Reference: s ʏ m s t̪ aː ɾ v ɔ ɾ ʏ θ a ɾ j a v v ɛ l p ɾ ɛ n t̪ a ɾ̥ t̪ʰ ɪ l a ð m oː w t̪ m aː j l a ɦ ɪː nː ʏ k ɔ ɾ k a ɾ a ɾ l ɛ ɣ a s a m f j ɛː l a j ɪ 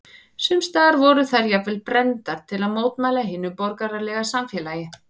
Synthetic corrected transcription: s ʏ m s t̪ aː ɾ v ɔ ɾ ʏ θ a ɾ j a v v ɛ l p ɾ ɛ n t̪ a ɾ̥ t̪ʰ ɪ l a ð m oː w t̪ m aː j l a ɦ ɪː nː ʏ p ɔ ɾ k a ɾ a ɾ l ɛ ɣ a s a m f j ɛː l a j ɪ